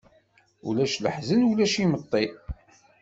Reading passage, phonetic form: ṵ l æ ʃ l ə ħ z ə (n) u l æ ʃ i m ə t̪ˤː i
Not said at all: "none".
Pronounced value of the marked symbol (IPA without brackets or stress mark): n